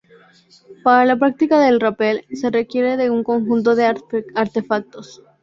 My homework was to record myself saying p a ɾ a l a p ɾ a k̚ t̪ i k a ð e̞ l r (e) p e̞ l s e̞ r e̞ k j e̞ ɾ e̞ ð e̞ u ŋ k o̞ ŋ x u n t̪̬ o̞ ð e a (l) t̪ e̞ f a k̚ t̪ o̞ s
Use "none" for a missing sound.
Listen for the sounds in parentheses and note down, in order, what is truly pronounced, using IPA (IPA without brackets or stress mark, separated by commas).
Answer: a, ɾ